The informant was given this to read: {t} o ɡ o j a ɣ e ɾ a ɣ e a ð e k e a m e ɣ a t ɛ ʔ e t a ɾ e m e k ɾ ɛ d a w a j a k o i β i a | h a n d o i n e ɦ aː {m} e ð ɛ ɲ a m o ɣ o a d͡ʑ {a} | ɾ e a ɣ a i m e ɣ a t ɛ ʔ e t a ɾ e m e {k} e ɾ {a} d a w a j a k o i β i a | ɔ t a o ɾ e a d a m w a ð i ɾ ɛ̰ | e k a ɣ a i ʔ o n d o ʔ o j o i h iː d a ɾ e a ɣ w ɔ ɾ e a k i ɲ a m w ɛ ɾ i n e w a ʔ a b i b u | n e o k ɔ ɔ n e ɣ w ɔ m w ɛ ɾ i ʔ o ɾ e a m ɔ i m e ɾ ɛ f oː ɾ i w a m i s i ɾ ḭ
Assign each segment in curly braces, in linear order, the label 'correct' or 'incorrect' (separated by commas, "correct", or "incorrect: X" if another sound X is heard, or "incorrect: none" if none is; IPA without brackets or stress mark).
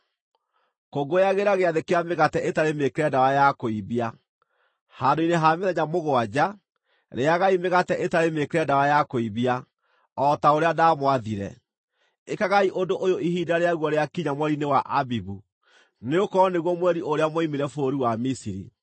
incorrect: k, correct, correct, correct, incorrect: ɛ